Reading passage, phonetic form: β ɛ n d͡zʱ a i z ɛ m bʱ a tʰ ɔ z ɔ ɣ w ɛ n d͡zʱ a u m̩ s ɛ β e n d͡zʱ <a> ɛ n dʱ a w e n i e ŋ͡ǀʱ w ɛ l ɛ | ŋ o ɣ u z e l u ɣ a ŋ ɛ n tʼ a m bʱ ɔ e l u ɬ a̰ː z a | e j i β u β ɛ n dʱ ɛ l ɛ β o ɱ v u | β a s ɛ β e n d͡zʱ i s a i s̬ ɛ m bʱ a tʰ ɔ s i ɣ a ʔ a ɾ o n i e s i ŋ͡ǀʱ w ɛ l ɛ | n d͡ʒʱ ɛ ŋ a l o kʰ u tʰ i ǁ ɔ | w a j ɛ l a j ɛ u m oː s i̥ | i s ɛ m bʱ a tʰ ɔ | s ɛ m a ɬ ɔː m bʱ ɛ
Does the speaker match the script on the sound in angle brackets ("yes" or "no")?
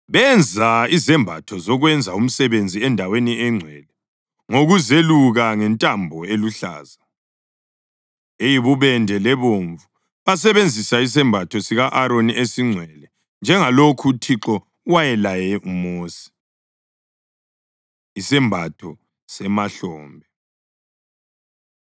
no